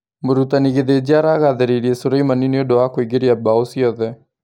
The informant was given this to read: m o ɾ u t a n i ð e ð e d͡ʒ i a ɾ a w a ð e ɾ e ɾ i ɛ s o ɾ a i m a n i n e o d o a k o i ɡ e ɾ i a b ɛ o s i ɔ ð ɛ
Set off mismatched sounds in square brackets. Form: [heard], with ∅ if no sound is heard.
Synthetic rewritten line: m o ɾ u t a n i [ɣ] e ð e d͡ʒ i a ɾ a [ɣ] a ð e ɾ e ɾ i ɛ s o ɾ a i m a n i n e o d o a k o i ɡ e ɾ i a b [a] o s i ɔ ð ɛ